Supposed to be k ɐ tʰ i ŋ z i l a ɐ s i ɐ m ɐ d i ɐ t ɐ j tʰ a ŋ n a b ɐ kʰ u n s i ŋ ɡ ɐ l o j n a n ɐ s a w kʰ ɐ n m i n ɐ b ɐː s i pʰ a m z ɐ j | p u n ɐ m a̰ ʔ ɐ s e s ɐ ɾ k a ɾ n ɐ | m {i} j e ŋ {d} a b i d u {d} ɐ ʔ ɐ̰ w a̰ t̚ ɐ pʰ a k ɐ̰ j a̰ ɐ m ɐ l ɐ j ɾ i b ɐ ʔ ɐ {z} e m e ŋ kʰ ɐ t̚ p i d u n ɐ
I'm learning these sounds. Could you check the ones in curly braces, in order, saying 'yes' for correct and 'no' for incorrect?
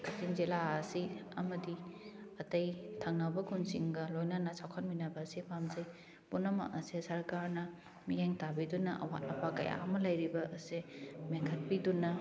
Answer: yes, no, no, no

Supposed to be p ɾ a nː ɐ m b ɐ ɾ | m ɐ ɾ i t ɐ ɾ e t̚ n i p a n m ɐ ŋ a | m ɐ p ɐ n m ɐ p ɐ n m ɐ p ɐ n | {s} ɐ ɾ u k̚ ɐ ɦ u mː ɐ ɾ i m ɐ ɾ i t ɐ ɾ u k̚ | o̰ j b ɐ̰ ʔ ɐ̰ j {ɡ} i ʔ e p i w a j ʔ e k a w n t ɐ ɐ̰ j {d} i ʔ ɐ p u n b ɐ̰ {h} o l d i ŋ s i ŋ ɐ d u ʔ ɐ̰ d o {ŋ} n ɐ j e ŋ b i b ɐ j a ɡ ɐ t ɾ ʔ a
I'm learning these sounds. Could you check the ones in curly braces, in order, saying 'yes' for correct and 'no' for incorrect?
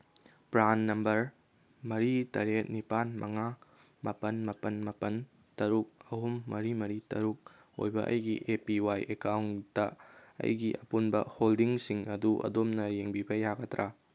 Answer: no, yes, no, yes, no

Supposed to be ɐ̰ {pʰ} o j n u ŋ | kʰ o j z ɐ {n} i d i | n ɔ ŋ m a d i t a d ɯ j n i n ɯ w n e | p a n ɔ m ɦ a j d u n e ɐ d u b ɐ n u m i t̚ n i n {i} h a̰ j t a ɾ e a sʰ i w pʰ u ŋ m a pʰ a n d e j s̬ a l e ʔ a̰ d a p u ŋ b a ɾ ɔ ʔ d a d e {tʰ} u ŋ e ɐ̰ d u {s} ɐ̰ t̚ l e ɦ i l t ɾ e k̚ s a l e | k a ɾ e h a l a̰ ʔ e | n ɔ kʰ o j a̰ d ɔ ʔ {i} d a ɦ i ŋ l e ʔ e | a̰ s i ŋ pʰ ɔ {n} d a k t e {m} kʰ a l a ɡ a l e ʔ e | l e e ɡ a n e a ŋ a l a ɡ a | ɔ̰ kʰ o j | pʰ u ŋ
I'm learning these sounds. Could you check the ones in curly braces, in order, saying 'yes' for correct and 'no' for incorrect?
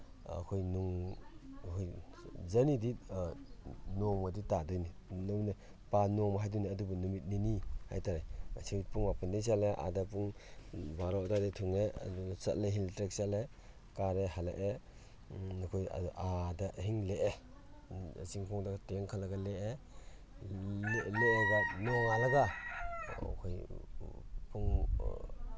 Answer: no, yes, yes, yes, yes, no, no, no

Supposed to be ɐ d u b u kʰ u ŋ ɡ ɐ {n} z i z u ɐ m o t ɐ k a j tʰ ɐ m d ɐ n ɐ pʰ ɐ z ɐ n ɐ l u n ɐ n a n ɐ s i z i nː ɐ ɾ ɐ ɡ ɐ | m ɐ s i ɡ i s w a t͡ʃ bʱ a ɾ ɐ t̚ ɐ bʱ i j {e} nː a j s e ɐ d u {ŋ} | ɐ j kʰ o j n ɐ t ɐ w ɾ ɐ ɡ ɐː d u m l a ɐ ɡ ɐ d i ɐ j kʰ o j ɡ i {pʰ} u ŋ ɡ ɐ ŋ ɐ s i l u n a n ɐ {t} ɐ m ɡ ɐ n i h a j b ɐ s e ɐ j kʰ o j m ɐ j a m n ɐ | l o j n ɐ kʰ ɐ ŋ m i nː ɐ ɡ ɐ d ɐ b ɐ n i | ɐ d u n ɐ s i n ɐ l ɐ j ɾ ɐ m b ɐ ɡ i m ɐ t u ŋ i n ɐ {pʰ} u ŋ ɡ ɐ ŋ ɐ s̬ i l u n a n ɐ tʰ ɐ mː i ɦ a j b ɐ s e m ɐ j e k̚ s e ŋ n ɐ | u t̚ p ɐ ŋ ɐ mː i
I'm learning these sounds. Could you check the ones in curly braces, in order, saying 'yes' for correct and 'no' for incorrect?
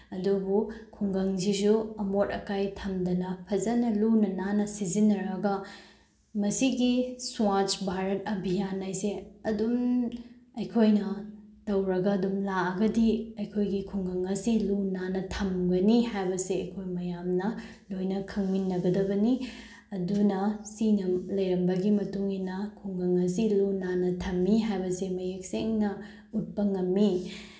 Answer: no, no, no, no, no, no

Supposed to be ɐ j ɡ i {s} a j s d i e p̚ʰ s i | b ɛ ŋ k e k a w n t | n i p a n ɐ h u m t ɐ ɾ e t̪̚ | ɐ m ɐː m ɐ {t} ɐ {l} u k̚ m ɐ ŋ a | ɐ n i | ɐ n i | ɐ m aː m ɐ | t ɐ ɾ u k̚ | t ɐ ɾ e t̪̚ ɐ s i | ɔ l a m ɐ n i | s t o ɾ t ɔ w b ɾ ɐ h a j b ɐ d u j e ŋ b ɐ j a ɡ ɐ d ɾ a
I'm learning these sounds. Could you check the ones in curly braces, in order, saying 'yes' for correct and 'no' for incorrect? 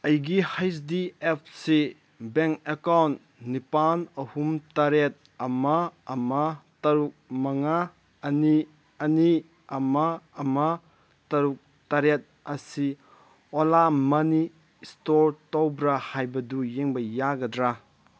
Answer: no, yes, no

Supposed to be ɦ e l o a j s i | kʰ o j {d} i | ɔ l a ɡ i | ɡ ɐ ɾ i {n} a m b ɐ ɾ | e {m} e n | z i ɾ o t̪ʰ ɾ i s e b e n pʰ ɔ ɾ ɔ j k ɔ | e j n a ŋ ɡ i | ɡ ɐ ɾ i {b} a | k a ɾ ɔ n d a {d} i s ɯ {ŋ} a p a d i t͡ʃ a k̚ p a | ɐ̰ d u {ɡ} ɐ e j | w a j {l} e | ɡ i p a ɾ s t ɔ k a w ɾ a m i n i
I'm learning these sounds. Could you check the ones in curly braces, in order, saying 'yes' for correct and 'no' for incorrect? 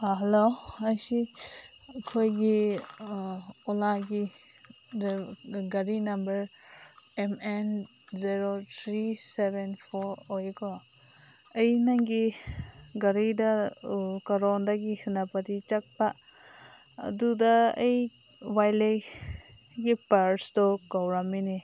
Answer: no, yes, yes, no, no, no, no, yes

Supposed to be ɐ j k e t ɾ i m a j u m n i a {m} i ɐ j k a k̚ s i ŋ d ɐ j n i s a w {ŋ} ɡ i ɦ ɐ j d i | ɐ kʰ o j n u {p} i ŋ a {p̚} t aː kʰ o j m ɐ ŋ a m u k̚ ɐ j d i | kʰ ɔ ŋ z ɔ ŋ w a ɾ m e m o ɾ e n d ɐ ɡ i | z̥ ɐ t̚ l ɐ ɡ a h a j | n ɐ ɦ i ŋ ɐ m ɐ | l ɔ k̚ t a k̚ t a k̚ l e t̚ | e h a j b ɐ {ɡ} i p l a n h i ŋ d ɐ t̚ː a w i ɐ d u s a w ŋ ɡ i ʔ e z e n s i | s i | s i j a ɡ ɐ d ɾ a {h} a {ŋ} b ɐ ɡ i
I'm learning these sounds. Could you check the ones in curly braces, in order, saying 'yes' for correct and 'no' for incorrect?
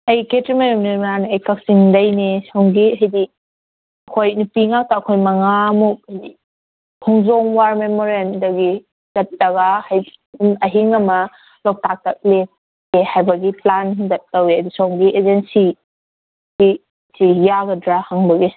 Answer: no, yes, yes, no, yes, yes, yes

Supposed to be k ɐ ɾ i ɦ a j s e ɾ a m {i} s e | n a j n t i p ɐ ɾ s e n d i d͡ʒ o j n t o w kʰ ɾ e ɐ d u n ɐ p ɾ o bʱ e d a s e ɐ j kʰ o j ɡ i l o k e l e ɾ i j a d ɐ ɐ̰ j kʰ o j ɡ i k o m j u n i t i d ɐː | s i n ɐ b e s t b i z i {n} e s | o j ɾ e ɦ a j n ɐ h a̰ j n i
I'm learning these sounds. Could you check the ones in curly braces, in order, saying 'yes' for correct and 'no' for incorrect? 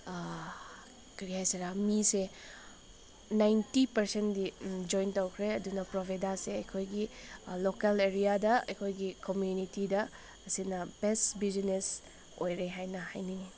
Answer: yes, yes

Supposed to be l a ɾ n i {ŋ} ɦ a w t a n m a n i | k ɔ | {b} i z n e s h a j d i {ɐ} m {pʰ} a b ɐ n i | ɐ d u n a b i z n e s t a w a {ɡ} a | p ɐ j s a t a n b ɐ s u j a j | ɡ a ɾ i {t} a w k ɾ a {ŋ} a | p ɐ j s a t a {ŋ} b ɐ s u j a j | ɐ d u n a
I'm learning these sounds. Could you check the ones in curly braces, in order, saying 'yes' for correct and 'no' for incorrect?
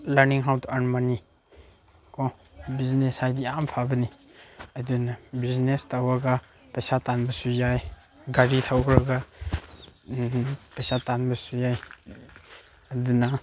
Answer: yes, yes, no, yes, yes, no, no, no

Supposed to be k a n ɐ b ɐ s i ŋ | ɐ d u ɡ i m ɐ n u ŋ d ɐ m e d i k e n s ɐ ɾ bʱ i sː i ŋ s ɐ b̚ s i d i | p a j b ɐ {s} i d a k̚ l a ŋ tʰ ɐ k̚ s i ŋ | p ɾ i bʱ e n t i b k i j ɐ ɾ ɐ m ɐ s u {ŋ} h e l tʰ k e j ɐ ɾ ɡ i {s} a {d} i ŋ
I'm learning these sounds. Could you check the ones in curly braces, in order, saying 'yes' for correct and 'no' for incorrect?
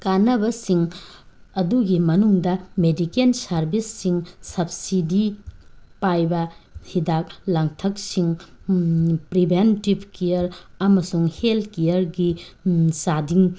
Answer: no, yes, yes, yes

